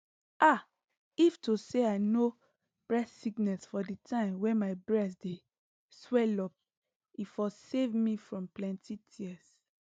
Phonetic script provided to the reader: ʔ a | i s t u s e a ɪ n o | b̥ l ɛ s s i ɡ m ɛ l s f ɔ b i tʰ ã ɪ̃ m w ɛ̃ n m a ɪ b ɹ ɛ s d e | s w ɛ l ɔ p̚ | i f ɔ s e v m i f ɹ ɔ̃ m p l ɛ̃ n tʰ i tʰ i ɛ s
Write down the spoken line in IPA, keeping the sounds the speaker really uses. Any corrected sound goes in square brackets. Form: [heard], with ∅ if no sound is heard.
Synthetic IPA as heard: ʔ a | i [f] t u s e a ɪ n o | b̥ [ɹ] ɛ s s i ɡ [n] ɛ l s f ɔ [d] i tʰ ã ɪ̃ m w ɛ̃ n m a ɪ b ɹ ɛ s d e | s w ɛ l ɔ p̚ | i f ɔ s e v m i f ɹ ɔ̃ m p l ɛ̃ n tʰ i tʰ i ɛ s